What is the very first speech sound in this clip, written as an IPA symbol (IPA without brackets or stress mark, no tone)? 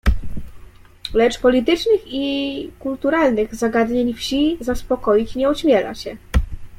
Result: l